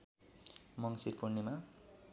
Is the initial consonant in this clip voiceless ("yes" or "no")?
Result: no